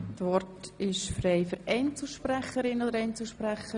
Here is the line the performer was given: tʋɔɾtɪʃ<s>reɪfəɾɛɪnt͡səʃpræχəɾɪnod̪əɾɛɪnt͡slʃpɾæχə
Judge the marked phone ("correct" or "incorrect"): incorrect